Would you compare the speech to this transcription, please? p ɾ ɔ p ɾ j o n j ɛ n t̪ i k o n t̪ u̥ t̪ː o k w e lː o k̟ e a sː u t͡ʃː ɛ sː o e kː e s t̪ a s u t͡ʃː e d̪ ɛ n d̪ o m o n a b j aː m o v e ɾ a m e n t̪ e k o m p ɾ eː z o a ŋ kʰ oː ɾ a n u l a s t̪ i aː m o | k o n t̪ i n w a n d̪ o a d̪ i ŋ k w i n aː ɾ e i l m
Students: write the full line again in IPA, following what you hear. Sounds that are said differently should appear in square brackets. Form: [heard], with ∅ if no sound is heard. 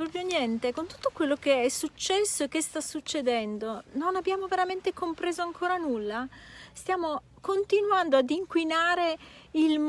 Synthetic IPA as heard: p ɾ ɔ p ɾ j o n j ɛ n t̪ [e] k o n t̪ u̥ t̪ː o k w e lː o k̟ e [ɛ] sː u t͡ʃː ɛ sː o e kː e s t̪ a s u t͡ʃː e d̪ ɛ n d̪ o [n] o n a b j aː m o v e ɾ a m e n t̪ e k o m p ɾ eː z o a ŋ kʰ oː ɾ a n u [lː] a s t̪ [j] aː m o | k o n t̪ i n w a n d̪ o a d̪ i ŋ k w i n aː ɾ e i l m